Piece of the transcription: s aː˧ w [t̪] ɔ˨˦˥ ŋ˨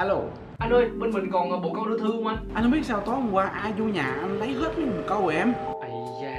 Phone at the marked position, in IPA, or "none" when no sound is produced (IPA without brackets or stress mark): t̪